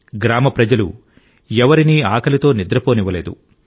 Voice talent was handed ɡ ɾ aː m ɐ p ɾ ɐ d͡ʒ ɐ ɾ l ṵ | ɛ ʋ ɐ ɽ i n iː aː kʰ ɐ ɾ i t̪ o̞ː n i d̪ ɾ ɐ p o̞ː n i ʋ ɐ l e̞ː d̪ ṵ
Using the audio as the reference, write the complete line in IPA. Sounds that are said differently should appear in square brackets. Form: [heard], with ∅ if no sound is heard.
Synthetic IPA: ɡ ɾ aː m ɐ p ɾ ɐ d͡ʒ ɐ [∅] l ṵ | ɛ ʋ ɐ [ɾ] i n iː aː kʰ ɐ [l] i t̪ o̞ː n i d̪ ɾ ɐ p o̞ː n i ʋ ɐ l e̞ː d̪ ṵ